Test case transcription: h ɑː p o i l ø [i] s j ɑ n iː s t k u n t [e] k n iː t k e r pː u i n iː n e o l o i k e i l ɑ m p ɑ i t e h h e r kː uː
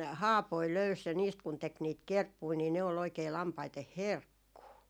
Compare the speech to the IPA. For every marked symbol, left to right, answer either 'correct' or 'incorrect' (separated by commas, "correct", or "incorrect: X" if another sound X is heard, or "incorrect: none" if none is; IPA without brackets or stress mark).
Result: incorrect: y, correct